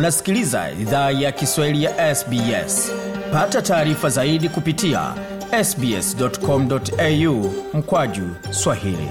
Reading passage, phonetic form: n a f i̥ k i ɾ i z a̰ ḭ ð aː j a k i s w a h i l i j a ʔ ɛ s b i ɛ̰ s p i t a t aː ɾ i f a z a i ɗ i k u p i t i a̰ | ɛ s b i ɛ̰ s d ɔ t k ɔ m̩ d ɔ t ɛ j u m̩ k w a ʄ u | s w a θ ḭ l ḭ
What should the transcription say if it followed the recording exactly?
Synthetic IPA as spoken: n a s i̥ k i l i z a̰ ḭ ð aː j a k i s w a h i l i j a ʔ ɛ s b i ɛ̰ s p a t a t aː ɾ i f a z a i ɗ i k u p i t i a̰ | ɛ s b i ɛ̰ s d ɔ t k ɔ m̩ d ɔ t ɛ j u m̩ k w a ʄ u | s w a h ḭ l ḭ